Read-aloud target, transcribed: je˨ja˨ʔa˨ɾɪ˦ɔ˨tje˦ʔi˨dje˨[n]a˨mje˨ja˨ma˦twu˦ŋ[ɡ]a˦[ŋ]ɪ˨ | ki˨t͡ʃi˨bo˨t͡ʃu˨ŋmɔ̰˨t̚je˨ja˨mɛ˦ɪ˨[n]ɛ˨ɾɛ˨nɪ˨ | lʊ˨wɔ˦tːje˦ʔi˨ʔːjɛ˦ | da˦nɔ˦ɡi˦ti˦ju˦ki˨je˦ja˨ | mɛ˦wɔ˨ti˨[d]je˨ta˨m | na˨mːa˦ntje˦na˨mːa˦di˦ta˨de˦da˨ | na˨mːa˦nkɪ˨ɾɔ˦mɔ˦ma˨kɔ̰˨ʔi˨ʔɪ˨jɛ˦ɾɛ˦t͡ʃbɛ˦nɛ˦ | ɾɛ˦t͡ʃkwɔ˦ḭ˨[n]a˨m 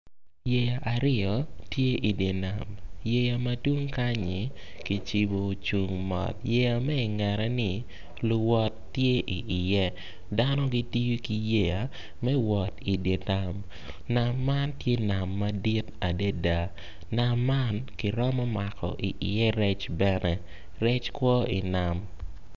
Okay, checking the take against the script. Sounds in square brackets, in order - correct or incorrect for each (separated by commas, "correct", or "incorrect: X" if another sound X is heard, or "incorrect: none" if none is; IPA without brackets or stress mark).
correct, incorrect: k, incorrect: ɲ, incorrect: ŋ, correct, correct